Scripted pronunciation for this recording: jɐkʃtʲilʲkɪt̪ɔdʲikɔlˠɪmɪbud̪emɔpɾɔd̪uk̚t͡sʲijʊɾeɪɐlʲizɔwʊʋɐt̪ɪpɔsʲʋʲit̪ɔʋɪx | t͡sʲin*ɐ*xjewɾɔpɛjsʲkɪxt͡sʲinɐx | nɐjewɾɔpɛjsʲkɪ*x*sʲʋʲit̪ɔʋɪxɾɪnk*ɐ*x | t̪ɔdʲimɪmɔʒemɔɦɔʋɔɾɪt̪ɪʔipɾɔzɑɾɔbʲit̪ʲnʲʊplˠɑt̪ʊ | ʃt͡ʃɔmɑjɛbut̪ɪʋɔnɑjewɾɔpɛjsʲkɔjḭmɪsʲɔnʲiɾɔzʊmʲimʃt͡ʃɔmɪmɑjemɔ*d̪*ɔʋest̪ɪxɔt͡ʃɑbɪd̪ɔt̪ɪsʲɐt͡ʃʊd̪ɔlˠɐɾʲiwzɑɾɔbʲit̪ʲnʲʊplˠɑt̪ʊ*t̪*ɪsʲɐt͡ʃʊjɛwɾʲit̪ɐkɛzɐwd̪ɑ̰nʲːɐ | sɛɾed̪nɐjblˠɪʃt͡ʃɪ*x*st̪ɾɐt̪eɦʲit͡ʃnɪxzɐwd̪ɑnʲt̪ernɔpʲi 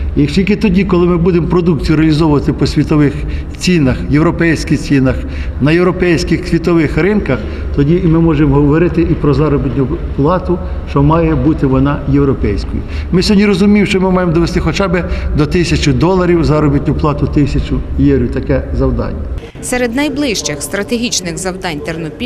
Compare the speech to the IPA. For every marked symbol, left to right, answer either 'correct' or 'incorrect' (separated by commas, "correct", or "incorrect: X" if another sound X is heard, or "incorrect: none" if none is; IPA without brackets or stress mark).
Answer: correct, correct, correct, correct, correct, correct